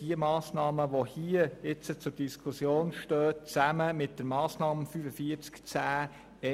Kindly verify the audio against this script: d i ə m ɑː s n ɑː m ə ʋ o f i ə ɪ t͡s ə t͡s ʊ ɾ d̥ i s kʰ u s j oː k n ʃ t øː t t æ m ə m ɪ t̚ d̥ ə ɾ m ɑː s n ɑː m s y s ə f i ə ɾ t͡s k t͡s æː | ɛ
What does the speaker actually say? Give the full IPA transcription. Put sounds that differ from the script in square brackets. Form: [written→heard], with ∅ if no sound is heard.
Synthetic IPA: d i ə m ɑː s n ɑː m ə ʋ o [f→h] i ə ɪ t͡s ə t͡s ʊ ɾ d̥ i s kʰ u s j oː [k→∅] n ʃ t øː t [t→t͡s] æ m ə m ɪ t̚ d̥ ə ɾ m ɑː s n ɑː m [s→f] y [s→f] ə f i ə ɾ t͡s k t͡s æː | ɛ